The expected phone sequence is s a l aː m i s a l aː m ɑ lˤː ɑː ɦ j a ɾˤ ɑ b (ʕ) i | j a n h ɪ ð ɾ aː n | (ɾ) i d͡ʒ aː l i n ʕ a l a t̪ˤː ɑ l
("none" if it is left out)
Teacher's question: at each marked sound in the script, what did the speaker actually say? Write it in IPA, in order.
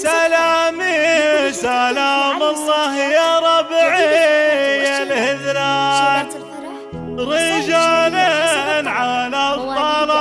ʕ, ɾ

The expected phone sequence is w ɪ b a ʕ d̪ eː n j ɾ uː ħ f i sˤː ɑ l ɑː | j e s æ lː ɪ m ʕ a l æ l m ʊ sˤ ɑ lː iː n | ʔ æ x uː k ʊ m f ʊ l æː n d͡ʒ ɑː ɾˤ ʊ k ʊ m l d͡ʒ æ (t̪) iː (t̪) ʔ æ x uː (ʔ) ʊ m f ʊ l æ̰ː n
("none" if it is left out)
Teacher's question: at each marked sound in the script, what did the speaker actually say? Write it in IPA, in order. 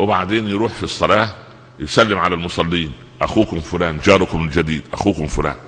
d̪, d̪, k

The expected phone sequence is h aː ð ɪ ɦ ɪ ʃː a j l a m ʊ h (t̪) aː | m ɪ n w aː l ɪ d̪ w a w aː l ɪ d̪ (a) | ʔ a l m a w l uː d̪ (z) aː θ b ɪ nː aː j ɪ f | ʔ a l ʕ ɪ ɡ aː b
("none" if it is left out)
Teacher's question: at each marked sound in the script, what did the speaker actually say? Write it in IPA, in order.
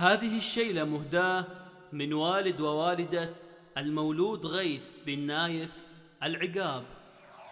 d̪, a, ɣ

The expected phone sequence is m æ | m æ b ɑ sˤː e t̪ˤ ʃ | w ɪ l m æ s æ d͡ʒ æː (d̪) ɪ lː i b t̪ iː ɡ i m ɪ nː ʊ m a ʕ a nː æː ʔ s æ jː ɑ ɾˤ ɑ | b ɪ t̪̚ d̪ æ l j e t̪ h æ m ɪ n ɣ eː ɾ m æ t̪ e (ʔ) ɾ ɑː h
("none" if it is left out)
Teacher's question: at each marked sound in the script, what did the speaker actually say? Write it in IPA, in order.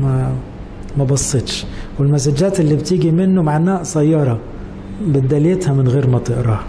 t̪, ʔ

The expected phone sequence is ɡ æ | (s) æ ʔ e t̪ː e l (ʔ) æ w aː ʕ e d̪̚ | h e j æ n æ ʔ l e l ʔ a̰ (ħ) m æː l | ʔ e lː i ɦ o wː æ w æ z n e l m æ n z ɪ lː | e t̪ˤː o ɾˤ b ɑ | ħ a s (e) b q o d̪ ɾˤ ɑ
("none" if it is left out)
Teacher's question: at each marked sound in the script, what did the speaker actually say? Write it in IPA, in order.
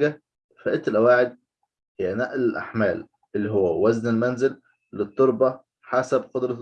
f, ʔ, ħ, æ

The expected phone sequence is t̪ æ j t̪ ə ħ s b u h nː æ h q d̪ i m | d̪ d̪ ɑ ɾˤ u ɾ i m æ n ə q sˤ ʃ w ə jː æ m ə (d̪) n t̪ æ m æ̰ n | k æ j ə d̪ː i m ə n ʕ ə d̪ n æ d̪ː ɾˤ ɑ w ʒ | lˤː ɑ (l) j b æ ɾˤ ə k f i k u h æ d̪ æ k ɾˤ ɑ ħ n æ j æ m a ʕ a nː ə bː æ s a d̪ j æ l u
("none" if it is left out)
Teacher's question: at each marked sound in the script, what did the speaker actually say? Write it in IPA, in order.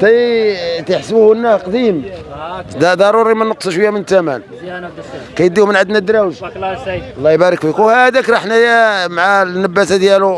none, none

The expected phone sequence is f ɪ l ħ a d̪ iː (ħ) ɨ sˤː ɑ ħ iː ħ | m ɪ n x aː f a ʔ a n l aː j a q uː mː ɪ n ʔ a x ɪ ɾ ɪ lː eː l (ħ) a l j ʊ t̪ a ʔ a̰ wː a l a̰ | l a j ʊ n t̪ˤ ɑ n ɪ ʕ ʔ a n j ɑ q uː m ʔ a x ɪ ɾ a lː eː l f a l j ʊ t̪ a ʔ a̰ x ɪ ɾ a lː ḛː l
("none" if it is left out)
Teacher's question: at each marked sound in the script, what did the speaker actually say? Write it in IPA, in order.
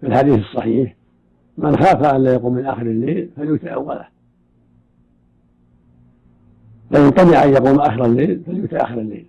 θ, f

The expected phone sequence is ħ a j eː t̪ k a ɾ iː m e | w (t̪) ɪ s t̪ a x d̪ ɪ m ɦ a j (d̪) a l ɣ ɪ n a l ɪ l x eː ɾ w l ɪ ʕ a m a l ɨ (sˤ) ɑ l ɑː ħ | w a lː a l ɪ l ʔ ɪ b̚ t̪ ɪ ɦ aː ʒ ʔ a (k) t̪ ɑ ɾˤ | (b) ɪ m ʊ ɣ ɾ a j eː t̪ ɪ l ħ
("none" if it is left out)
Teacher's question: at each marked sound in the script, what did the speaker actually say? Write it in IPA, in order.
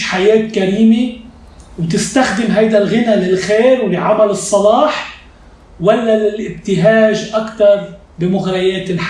t̪, d̪, sˤː, k, b

